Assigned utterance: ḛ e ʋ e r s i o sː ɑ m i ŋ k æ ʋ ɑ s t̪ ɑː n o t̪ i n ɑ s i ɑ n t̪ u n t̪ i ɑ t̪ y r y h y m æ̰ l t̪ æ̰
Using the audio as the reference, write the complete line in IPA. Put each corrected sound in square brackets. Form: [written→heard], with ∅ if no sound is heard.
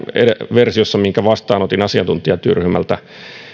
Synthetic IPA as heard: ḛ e ʋ e r s i o sː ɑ m i ŋ k æ ʋ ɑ s t̪ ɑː n o t̪ i n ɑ s i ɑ n t̪ u n t̪ i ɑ t̪ y r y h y m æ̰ l t̪ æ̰